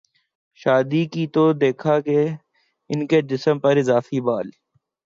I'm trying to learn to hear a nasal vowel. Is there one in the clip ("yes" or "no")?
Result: no